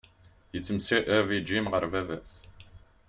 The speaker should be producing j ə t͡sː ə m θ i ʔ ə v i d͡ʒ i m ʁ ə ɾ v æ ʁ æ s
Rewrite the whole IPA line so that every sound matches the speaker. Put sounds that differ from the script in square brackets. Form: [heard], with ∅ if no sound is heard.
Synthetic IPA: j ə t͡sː ə m [s] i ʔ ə v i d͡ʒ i m ʁ ə ɾ v æ [v] æ s